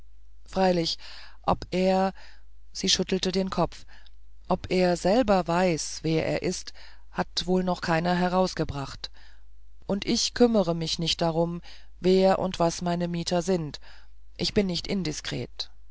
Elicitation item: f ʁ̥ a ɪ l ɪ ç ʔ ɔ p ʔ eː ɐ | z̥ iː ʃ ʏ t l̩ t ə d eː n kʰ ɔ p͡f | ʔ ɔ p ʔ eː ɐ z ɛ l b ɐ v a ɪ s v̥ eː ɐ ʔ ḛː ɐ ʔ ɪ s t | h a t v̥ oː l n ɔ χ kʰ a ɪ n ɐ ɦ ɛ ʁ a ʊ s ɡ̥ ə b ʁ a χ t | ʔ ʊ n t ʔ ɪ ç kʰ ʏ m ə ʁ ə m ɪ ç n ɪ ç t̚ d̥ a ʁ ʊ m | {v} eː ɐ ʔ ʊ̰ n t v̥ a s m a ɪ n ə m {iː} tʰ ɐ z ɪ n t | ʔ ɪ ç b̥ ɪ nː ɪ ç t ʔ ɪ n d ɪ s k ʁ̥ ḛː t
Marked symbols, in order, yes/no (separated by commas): yes, yes